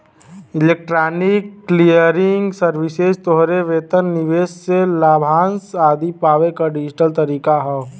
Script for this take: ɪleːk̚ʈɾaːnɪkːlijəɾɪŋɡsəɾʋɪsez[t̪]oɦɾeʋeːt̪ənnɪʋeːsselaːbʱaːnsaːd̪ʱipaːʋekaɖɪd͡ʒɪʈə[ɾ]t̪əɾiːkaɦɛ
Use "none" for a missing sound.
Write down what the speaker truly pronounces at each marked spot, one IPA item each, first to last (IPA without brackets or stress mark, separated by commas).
t̪, l